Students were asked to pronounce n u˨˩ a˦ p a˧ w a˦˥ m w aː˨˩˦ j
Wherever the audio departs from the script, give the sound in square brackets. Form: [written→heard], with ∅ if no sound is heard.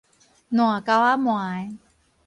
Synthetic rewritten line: n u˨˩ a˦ [p→k] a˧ w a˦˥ m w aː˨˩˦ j